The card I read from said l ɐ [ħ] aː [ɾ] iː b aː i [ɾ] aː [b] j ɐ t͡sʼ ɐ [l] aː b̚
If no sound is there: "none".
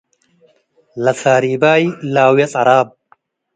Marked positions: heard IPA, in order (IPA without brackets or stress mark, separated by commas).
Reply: s, ɾ, l, w, ɾ